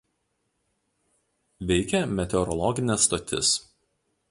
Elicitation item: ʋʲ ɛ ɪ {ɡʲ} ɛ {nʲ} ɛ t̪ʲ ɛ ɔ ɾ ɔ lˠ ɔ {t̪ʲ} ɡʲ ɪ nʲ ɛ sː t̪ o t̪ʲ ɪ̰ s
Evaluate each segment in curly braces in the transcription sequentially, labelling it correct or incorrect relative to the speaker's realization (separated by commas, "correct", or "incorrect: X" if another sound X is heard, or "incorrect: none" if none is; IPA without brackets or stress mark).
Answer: incorrect: kʲ, incorrect: mʲ, incorrect: none